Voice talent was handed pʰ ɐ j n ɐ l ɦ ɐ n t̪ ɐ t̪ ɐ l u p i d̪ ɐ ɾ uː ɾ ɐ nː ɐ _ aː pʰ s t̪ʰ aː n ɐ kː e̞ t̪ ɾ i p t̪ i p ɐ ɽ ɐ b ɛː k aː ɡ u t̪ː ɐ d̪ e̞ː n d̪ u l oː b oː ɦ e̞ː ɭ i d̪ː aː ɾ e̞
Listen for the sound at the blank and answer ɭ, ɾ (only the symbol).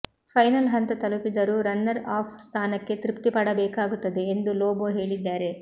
ɾ